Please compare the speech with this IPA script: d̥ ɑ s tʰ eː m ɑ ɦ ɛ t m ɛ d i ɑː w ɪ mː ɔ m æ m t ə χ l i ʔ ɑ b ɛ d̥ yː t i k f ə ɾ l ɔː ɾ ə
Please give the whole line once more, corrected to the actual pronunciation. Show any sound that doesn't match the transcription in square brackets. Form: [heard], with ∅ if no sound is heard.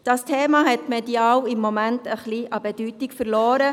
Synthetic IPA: d̥ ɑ s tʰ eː m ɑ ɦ ɛ t m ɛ d i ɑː w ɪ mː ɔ m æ [n] t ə χ l i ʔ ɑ b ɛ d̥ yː t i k f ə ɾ l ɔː ɾ ə